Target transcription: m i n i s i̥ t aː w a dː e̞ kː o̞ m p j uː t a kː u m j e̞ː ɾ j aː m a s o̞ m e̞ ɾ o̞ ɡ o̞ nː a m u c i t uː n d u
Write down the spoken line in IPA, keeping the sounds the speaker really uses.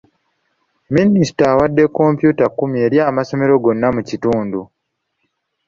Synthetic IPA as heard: m i n i s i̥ t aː w a dː e̞ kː o̞ m p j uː t a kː u m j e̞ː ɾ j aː m a s o̞ m e̞ ɾ o̞ ɡ o̞ nː a m u c i t uː n d u